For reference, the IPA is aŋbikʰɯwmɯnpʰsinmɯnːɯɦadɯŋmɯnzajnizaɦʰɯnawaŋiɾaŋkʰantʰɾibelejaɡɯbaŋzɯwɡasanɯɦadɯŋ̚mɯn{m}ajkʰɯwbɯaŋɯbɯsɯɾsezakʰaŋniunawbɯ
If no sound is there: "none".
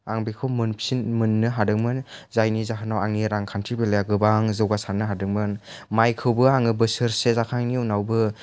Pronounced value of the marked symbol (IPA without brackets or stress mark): m